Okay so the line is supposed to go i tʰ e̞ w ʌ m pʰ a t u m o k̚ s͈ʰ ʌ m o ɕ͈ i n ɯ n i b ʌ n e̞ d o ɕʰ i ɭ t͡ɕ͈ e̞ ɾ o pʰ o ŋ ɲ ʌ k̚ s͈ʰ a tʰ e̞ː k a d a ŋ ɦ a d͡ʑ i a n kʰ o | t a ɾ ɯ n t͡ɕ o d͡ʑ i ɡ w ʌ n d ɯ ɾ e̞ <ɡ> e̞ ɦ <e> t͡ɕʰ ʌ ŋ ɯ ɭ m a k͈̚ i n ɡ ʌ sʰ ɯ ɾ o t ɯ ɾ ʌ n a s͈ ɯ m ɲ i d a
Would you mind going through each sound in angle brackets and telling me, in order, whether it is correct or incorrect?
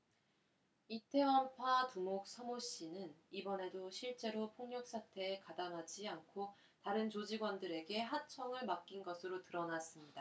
correct, incorrect

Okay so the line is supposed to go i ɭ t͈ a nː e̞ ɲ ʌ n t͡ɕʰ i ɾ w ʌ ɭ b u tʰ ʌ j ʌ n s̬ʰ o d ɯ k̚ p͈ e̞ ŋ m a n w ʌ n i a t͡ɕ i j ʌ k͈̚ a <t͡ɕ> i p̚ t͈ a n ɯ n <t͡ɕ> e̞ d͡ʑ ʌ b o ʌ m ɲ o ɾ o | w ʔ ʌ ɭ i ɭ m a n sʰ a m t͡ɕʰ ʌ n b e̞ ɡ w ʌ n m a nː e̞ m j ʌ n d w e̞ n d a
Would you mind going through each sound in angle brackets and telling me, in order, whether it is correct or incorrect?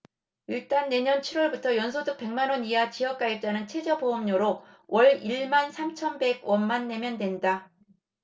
incorrect, incorrect

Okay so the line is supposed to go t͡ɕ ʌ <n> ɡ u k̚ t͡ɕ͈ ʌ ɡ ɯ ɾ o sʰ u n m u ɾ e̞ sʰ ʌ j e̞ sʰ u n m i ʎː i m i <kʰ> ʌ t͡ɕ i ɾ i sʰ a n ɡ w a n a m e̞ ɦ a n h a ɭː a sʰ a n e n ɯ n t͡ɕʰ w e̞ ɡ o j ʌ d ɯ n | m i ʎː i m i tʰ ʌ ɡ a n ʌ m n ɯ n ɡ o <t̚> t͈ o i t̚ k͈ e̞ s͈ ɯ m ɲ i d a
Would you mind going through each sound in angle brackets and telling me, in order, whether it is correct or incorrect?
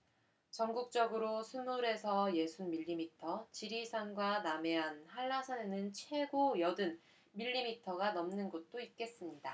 incorrect, incorrect, correct

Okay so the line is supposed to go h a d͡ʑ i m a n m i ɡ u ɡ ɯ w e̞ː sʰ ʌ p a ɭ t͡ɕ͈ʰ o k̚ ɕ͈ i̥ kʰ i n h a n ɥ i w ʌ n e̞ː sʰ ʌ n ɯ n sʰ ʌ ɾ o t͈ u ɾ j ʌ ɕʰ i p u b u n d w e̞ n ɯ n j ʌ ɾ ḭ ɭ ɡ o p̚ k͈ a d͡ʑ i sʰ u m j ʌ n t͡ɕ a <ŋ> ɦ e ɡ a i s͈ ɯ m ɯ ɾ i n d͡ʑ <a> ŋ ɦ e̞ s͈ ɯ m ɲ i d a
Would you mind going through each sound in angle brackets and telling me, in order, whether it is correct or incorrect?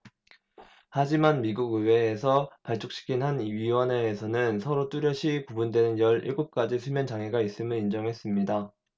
correct, incorrect

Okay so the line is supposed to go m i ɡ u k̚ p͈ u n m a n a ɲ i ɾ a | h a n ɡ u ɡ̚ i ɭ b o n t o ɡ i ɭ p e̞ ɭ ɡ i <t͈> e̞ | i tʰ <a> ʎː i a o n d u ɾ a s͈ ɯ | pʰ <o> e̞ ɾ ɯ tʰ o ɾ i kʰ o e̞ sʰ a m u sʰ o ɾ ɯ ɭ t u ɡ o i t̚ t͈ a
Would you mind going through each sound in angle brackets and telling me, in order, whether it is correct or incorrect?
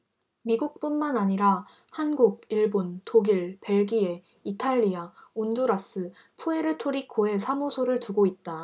incorrect, correct, incorrect

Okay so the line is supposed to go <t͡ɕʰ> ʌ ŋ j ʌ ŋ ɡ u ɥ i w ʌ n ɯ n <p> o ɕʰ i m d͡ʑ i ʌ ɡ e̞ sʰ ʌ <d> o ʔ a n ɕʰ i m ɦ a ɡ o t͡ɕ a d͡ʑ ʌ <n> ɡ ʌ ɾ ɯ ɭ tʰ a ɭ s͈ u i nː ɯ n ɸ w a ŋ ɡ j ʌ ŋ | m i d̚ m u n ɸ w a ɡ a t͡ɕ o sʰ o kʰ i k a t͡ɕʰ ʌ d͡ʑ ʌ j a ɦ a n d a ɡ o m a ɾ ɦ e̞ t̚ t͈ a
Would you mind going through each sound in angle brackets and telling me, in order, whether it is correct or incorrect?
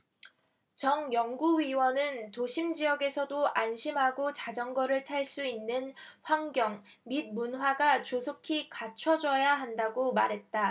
incorrect, incorrect, correct, incorrect

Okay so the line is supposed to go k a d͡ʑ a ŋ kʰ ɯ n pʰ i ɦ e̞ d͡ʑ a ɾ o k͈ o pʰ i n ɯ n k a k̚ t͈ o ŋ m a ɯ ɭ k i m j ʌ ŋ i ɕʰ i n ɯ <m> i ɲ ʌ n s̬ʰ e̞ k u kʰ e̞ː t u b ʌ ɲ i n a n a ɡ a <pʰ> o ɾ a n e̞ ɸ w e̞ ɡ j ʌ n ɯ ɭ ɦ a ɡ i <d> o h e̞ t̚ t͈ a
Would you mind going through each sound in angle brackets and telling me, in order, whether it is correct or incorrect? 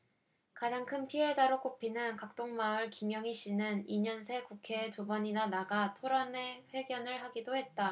incorrect, incorrect, correct

